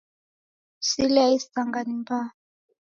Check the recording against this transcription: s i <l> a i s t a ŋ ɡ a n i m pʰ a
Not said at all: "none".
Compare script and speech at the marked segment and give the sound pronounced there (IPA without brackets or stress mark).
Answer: l